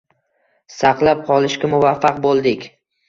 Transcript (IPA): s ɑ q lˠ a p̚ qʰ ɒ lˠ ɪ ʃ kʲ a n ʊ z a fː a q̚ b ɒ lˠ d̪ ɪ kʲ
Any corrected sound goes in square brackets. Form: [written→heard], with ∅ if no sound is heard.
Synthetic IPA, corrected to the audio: s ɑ q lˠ a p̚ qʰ ɒ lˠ ɪ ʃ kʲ a [n→m] ʊ [z→v] a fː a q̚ b [ɒ→o] lˠ d̪ ɪ kʲ